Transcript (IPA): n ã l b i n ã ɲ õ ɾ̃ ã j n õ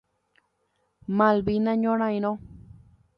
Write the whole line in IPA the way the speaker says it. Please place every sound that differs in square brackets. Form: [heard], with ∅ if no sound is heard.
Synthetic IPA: [m] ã l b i n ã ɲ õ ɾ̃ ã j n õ